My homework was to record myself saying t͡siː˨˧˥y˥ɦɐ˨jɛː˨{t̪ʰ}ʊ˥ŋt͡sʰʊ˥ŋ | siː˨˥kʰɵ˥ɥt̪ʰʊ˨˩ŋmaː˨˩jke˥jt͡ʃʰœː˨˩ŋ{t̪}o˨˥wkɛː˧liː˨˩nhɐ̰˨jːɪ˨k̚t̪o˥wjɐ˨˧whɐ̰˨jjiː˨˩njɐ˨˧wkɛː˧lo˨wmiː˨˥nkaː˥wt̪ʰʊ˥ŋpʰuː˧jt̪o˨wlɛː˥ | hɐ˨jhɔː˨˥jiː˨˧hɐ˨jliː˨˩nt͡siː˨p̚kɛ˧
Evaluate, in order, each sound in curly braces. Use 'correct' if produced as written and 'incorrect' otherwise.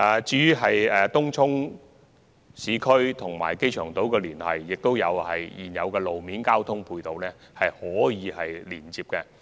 incorrect, correct

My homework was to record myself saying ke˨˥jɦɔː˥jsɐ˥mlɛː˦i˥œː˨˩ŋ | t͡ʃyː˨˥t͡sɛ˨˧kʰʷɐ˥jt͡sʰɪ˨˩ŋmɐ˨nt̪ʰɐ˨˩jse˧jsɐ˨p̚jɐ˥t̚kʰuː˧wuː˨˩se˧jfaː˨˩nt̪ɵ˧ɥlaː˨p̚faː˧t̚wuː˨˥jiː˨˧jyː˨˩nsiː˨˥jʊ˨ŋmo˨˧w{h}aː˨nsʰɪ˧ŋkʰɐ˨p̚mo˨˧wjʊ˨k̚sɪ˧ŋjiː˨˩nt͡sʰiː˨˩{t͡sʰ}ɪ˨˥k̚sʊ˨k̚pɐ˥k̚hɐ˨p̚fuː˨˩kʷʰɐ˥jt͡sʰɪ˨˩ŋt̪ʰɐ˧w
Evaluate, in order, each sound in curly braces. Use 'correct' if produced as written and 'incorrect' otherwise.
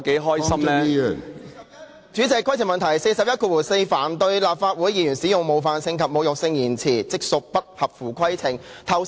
incorrect, incorrect

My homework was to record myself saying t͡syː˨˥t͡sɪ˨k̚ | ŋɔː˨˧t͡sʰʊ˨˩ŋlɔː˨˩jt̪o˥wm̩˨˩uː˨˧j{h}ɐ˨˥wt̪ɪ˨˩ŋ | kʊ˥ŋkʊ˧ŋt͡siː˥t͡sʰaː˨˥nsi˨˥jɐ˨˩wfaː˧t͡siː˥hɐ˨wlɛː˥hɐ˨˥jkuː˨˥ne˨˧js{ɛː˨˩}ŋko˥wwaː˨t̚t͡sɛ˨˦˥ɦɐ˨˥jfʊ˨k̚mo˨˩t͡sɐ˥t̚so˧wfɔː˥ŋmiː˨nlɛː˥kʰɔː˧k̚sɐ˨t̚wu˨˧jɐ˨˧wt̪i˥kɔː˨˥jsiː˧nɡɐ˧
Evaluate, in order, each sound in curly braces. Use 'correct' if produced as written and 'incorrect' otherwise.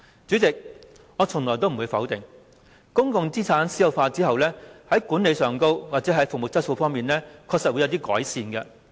incorrect, incorrect

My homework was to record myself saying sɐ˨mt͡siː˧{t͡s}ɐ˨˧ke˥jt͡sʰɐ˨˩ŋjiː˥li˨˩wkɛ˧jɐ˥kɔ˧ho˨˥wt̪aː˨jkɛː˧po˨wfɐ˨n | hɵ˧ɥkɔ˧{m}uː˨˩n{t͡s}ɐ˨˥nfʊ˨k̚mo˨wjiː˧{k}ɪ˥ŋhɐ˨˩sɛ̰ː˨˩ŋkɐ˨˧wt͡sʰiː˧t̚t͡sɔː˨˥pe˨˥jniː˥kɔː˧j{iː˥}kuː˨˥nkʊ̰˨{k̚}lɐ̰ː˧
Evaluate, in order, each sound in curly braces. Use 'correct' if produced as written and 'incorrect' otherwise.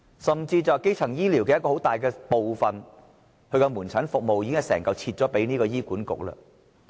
correct, correct, incorrect, correct, correct, correct

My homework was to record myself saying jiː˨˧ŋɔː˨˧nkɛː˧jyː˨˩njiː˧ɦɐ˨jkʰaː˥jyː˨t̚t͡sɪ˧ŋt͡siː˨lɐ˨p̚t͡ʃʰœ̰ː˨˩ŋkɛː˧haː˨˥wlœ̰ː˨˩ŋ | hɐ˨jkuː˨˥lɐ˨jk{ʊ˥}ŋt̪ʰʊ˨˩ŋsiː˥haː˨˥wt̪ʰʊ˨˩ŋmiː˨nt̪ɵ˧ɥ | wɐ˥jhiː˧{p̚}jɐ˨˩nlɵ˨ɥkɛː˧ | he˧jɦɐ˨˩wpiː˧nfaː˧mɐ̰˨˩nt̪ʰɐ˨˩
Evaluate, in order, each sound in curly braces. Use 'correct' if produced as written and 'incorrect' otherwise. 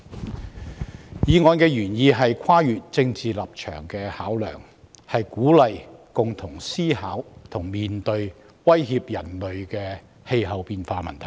incorrect, correct

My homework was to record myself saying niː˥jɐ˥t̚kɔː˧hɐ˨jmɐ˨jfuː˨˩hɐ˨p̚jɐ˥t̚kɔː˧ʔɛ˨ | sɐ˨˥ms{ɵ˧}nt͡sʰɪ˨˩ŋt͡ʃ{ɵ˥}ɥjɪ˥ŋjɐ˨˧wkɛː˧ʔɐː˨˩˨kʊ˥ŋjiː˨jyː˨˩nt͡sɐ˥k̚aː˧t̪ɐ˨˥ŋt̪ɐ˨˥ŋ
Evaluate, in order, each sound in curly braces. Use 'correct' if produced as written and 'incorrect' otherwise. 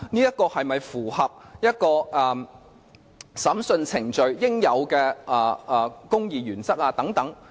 correct, incorrect

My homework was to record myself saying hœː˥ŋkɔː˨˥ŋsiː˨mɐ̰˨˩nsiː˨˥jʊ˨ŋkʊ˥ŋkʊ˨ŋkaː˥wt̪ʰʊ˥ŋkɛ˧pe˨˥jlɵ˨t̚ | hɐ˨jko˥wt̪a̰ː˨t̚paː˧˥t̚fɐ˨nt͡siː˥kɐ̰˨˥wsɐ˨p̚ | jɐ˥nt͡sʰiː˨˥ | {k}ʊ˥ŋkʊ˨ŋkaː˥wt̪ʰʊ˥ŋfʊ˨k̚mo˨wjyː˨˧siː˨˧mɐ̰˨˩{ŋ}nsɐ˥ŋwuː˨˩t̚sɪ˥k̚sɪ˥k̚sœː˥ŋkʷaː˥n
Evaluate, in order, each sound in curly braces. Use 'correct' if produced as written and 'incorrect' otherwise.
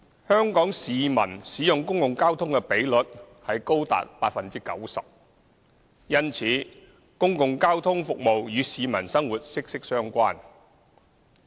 correct, incorrect

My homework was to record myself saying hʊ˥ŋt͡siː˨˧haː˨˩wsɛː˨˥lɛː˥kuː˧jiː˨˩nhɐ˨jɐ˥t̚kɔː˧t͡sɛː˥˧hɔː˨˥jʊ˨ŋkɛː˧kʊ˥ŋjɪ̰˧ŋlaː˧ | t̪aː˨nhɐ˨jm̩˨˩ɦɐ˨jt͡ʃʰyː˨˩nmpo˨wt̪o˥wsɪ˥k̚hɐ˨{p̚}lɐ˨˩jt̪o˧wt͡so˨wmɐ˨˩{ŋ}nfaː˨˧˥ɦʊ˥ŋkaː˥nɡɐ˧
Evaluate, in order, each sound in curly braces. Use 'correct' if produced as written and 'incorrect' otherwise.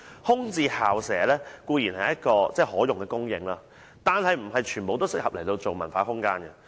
correct, incorrect

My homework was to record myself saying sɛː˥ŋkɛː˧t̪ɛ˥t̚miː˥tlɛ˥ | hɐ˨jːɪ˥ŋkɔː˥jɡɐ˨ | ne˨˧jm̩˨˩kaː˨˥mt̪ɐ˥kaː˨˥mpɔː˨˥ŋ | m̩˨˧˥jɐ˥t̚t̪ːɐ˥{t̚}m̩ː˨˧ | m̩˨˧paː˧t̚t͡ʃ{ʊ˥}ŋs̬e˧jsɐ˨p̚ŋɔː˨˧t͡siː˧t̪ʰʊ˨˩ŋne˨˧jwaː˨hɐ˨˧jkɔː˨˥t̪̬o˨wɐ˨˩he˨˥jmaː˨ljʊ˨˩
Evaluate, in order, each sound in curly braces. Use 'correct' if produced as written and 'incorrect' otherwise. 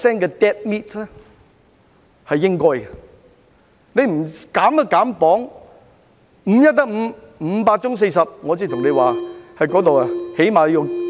incorrect, correct

